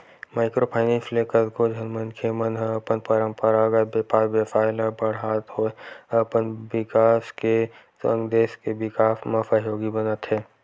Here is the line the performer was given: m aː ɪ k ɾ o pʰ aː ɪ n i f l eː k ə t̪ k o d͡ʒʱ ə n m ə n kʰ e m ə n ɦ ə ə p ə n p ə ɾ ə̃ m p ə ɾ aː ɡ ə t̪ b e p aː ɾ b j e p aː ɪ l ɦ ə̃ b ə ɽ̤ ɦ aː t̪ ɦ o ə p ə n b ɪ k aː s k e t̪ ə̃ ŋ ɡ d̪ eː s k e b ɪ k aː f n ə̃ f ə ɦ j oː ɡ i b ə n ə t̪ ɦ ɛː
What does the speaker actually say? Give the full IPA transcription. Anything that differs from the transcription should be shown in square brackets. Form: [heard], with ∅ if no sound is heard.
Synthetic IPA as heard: m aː ɪ k ɾ o pʰ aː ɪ n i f l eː k ə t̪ k o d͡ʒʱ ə n m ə n kʰ e m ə n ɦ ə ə p ə n p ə ɾ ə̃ m p ə ɾ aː ɡ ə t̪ b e p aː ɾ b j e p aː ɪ l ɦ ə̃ b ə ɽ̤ ɦ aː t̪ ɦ o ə p ə n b ɪ k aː s k e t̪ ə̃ ŋ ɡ d̪ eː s k e b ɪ k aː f [m] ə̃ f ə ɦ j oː ɡ i b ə n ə t̪ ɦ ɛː